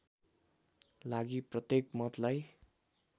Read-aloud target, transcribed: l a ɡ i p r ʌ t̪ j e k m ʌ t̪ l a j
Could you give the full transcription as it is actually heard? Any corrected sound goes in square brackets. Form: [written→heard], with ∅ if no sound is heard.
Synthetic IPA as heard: l a ɡ i p r ʌ t̪ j e k m ʌ t̪ l a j